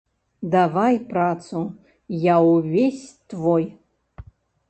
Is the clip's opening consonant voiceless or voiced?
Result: voiced